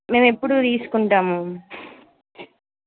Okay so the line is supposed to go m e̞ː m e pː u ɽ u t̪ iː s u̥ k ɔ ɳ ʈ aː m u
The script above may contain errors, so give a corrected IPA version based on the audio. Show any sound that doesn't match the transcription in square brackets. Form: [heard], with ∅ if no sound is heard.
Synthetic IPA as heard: m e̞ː m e pː u ɽ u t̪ iː s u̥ k [u] ɳ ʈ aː m u